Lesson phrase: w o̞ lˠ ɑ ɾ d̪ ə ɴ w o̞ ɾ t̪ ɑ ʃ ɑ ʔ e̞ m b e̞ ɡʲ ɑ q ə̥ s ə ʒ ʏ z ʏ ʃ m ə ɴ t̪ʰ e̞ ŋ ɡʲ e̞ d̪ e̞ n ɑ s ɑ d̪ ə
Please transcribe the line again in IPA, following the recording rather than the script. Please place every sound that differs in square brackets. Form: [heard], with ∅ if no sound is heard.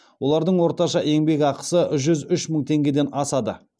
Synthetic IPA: w o̞ lˠ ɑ ɾ d̪ ə ɴ w o̞ ɾ t̪ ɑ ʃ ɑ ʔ e̞ [ŋ] b e̞ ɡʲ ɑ q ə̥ s ə ʒ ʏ z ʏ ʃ m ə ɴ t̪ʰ e̞ ŋ ɡʲ e̞ d̪ e̞ n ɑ s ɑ d̪ ə